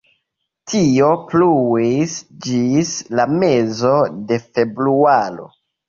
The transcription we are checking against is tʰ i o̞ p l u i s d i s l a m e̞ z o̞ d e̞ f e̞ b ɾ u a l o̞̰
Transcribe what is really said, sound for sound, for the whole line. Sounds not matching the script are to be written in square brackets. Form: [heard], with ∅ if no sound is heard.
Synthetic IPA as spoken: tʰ i o̞ p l u i s [d͡ʒ] i s l a m e̞ z o̞ d e̞ f e̞ b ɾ u a l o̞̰